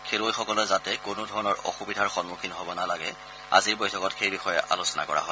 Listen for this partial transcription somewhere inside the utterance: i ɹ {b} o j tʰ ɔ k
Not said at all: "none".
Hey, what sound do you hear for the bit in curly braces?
b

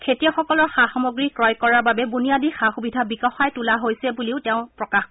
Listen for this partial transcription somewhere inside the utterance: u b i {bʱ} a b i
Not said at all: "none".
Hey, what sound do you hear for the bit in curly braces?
dʱ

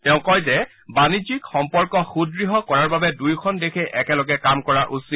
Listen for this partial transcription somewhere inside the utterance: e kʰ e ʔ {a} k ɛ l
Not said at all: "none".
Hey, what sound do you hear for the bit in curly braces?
ɛ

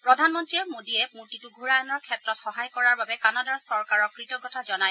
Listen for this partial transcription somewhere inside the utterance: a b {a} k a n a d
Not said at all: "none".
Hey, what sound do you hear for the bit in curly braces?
ɛ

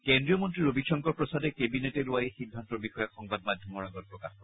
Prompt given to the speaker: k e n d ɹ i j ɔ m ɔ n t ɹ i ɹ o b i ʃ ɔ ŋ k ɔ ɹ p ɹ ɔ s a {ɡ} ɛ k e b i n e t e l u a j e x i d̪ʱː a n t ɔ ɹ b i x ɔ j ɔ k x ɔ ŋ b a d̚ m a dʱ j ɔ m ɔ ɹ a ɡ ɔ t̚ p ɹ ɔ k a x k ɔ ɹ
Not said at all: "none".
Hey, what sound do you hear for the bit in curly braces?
d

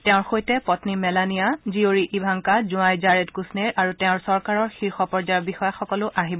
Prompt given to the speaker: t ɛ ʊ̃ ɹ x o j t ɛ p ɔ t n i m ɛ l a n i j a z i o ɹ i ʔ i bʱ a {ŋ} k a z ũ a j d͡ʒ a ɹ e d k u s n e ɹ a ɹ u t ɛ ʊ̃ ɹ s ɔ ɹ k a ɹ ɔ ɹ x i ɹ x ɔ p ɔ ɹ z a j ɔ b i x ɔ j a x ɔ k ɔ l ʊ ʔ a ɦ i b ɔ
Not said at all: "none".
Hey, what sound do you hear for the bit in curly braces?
ŋ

